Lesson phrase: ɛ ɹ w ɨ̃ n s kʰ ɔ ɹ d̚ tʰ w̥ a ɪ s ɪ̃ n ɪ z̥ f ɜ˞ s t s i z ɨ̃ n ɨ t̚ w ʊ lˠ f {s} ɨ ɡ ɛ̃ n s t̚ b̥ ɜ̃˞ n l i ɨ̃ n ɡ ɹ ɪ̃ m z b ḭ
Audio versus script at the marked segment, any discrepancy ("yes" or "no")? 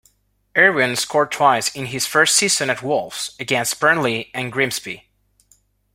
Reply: no